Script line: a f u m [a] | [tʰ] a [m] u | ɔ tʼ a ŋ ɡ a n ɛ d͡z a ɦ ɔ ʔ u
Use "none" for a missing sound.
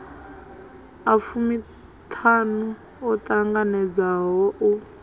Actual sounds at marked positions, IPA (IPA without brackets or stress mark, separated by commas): i, tʰ, n